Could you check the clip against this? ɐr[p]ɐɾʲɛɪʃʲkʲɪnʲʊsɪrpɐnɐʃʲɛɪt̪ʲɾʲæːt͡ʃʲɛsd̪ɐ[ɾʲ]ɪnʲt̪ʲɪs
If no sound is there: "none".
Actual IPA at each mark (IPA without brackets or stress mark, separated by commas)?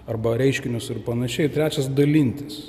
b, lʲ